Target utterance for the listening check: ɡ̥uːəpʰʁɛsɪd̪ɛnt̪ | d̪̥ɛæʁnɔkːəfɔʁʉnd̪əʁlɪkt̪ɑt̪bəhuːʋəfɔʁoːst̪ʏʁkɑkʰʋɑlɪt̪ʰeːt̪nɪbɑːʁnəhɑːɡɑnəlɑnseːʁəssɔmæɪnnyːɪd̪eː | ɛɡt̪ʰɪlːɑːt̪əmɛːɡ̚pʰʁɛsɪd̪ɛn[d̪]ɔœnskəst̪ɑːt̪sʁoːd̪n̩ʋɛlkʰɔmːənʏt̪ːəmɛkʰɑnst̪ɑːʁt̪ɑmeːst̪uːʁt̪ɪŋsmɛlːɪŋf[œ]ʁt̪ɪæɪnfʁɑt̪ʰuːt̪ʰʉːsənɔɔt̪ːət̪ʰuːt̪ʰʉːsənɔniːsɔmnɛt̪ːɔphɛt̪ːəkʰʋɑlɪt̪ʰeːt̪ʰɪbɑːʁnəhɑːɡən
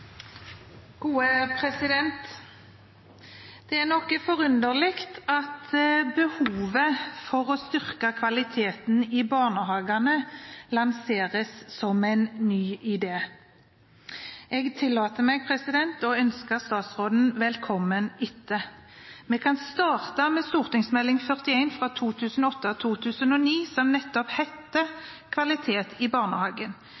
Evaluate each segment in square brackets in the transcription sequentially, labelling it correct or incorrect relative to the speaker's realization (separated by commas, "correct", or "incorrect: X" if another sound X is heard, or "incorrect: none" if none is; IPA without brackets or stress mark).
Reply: incorrect: t̪, correct